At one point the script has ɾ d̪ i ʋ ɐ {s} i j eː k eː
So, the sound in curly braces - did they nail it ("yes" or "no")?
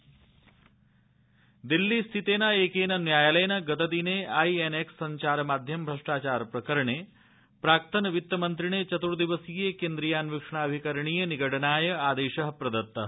yes